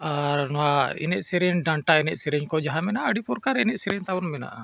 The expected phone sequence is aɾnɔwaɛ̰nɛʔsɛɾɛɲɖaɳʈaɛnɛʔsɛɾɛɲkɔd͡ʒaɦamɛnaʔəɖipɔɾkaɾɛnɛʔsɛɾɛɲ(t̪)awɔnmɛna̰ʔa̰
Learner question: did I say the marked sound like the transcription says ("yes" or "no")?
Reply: yes